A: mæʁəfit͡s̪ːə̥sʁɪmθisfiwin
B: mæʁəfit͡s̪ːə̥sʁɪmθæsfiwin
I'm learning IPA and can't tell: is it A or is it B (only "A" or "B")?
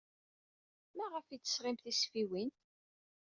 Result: A